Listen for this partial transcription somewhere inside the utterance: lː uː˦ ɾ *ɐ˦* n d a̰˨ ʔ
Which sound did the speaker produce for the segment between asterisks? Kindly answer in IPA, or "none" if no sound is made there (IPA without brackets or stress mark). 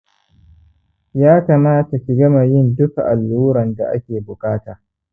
ɐ˨